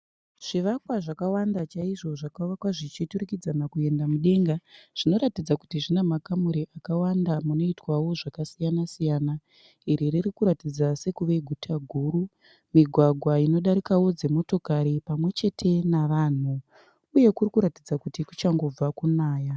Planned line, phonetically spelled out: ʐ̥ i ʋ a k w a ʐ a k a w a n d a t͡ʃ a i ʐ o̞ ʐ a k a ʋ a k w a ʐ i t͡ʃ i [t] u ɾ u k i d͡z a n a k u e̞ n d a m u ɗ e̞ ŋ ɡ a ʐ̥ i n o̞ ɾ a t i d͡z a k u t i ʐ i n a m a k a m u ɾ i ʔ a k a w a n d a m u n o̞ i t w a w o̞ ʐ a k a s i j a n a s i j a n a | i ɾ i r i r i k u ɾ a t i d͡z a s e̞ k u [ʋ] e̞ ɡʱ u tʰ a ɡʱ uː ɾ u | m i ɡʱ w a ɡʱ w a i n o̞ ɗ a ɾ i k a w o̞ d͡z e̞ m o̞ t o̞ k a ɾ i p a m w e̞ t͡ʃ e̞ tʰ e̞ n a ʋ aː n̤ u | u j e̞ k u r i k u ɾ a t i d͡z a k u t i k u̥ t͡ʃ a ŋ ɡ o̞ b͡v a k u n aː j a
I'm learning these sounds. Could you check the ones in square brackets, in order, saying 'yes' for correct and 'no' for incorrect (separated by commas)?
yes, yes